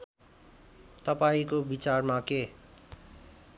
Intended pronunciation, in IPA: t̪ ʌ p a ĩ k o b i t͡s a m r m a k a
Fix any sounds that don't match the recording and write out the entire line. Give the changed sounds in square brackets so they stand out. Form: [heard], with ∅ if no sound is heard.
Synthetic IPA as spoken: t̪ ʌ p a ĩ k o b i t͡s a [∅] r m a k [e]